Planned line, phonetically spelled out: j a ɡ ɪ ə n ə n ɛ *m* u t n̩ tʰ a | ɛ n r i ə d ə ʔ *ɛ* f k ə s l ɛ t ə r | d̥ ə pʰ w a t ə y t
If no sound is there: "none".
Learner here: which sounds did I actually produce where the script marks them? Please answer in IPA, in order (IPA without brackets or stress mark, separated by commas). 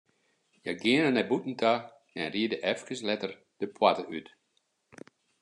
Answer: b, ɛ